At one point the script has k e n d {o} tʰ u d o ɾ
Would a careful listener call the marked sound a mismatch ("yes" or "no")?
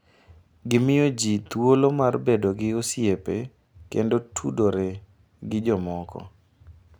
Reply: no